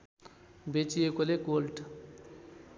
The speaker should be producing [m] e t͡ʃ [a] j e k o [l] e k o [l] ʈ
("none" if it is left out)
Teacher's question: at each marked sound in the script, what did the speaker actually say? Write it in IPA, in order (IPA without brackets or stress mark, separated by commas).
b, i, l, l